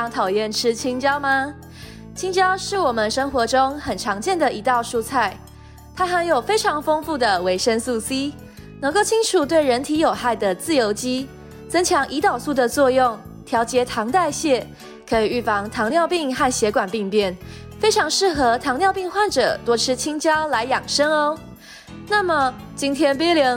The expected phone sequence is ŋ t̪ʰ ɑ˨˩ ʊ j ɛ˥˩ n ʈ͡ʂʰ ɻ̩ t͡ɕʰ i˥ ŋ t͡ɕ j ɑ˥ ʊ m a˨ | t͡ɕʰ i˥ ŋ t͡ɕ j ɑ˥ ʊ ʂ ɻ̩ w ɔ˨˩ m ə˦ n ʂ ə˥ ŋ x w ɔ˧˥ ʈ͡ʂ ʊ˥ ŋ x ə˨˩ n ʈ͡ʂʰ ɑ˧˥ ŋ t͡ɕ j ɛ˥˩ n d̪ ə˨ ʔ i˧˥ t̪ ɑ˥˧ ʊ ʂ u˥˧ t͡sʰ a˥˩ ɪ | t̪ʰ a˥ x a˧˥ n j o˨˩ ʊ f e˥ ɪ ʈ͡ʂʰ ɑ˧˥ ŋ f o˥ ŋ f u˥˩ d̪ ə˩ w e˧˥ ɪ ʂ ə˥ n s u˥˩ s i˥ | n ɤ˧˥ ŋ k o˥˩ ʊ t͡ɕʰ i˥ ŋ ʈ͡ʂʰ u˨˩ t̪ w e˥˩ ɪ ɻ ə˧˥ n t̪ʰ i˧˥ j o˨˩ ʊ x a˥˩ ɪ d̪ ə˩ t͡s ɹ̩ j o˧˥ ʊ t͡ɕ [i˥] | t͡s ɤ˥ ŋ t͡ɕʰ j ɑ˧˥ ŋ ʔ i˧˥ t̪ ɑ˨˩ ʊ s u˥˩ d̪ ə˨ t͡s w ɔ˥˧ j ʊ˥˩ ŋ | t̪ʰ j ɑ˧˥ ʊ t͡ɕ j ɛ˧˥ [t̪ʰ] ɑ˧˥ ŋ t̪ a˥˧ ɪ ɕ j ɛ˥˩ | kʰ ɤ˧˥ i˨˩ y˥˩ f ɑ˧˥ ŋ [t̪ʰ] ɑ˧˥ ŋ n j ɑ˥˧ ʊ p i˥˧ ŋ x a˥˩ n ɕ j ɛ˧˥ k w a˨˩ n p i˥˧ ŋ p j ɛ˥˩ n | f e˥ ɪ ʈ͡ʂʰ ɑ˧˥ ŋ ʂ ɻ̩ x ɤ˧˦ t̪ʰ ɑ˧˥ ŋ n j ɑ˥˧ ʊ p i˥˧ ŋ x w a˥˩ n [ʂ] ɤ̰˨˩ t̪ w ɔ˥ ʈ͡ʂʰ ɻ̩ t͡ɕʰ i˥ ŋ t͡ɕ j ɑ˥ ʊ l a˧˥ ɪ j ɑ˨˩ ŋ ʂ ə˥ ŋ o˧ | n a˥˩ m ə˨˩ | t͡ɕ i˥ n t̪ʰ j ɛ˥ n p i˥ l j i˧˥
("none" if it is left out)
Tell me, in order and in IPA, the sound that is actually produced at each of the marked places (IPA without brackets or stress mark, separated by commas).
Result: i˥, t̪ʰ, t̪ʰ, ʈ͡ʂ